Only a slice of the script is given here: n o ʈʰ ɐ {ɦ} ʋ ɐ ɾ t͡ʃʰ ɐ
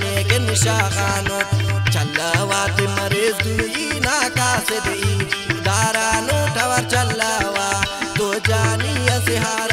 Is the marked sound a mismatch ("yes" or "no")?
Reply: yes